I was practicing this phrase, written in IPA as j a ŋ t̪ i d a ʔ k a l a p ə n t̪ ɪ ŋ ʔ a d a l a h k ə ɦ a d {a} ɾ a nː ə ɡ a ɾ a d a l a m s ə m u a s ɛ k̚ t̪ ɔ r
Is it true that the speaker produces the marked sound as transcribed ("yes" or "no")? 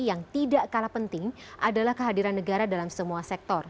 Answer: no